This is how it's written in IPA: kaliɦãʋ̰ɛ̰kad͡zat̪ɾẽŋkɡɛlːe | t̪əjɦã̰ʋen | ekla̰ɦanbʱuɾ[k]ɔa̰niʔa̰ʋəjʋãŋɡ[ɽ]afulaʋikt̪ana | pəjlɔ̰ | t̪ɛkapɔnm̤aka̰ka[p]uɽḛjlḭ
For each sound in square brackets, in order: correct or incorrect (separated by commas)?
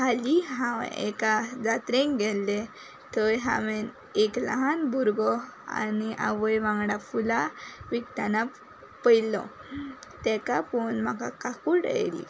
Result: incorrect, correct, incorrect